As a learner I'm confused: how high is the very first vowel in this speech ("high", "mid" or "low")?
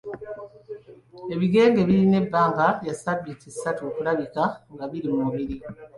mid